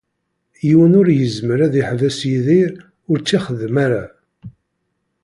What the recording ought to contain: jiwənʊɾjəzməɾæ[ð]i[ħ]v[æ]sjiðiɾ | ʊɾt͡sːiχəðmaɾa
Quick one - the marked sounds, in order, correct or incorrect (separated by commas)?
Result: correct, correct, correct